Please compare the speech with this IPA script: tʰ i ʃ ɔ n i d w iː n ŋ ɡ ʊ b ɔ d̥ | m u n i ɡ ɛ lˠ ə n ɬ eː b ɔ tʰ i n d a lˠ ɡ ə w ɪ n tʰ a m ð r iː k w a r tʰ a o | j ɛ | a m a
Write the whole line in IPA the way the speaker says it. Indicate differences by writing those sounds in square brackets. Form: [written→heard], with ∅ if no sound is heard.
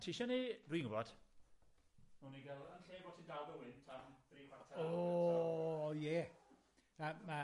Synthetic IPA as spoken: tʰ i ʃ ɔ n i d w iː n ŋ ɡ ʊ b ɔ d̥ | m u n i ɡ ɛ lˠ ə n ɬ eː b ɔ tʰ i n d a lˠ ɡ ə w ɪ n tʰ a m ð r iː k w a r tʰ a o | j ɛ | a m a